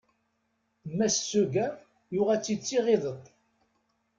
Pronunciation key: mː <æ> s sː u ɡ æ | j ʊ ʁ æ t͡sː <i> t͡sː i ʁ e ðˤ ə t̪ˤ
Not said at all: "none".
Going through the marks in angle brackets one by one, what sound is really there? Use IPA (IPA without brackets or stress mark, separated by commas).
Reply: æ, i